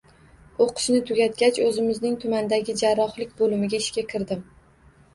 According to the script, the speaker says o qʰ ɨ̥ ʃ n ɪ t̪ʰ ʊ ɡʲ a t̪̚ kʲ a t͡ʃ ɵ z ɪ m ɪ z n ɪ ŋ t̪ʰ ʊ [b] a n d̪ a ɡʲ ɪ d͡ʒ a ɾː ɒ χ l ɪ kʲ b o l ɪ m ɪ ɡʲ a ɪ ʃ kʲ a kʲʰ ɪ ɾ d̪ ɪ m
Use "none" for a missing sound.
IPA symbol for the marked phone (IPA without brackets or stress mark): m